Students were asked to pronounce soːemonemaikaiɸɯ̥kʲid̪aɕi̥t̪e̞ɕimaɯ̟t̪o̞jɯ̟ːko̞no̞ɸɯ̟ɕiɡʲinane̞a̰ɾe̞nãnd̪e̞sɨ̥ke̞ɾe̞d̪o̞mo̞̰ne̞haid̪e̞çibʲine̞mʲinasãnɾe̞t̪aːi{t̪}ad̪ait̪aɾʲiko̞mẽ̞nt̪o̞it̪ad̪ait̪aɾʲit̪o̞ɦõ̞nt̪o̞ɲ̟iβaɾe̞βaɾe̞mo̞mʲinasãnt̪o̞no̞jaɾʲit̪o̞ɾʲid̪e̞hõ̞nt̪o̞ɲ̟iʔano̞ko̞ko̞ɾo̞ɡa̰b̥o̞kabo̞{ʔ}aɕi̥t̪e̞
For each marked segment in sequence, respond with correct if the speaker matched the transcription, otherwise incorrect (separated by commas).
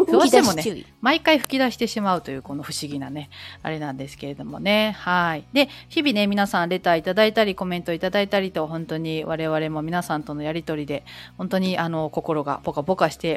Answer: correct, incorrect